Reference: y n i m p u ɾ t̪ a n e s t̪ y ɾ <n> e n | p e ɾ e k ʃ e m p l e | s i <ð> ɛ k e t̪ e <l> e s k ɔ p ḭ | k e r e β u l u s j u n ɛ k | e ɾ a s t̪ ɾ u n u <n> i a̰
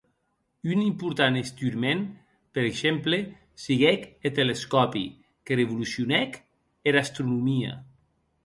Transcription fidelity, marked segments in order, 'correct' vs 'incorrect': incorrect: m, incorrect: ɣ, correct, incorrect: m

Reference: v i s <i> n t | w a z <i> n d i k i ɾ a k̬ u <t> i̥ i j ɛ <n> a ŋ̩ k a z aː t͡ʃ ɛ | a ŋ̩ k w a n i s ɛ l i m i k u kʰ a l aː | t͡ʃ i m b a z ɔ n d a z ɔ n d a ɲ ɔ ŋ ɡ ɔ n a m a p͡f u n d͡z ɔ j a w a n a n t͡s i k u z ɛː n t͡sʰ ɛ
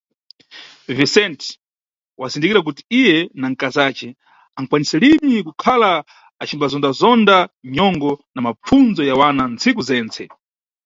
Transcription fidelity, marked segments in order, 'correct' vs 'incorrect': incorrect: ɛ, correct, correct, correct

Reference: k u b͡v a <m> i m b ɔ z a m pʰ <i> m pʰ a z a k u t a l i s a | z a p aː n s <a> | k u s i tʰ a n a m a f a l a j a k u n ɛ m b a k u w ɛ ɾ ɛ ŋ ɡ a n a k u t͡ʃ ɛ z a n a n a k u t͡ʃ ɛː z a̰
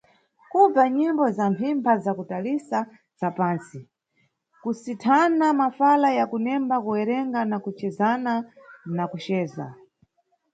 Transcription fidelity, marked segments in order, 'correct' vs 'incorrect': incorrect: ɲ, correct, incorrect: i

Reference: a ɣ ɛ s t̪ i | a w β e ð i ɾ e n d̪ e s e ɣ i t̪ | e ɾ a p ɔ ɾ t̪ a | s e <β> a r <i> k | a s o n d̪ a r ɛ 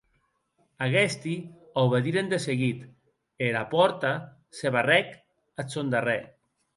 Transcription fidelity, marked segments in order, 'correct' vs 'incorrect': correct, incorrect: ɛ

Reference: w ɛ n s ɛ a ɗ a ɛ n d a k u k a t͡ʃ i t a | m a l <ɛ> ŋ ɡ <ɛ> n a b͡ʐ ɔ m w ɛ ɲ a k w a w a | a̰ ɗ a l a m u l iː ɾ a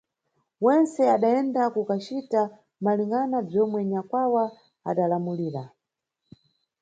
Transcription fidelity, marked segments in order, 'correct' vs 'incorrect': incorrect: i, incorrect: a

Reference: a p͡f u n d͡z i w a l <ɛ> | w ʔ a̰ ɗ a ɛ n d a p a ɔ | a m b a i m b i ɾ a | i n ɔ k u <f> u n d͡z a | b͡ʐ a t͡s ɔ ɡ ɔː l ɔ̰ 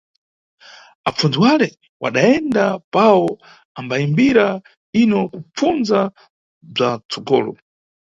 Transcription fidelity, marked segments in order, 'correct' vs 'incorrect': correct, incorrect: p͡f

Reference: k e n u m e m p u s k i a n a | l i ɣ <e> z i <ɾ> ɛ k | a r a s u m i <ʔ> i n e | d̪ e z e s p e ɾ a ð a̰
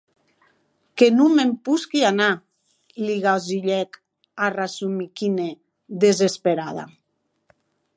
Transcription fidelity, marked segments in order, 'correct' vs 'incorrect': incorrect: a, incorrect: ʎ, incorrect: k

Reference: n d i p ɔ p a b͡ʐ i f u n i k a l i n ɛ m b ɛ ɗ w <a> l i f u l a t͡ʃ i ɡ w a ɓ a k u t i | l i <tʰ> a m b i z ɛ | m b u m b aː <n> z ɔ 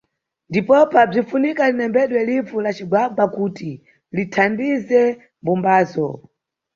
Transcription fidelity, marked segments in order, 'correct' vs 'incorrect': incorrect: ɛ, correct, incorrect: none

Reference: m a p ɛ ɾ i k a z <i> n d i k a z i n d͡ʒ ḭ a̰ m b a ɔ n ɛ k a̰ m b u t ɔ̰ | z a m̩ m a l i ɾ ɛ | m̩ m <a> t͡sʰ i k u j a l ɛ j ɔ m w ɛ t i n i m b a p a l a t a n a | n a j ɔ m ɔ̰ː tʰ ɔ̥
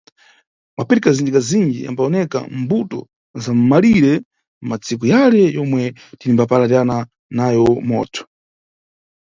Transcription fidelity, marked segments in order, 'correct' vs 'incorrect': correct, correct

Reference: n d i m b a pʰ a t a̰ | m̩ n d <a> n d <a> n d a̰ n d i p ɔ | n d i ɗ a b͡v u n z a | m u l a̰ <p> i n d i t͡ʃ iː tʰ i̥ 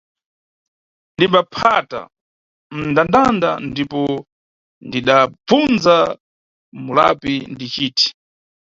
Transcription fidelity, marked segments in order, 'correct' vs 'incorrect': correct, correct, correct

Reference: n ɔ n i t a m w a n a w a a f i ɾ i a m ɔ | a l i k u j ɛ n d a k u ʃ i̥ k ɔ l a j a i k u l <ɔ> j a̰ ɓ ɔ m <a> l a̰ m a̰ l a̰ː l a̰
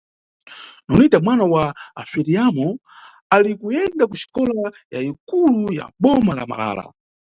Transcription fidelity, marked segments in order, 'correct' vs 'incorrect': incorrect: u, correct

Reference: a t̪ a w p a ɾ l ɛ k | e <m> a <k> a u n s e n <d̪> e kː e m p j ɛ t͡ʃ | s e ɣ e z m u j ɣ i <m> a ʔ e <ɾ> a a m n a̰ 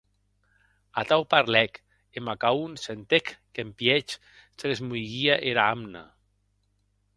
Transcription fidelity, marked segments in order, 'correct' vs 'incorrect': correct, correct, incorrect: t̪, incorrect: none, correct

